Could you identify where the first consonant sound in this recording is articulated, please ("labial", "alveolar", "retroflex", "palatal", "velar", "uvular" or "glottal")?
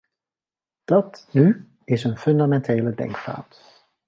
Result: alveolar